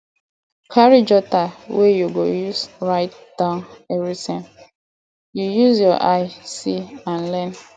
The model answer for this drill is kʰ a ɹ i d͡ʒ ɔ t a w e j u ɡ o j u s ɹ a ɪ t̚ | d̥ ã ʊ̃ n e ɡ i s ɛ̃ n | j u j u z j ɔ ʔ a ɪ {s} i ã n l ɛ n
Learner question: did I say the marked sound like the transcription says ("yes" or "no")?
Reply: yes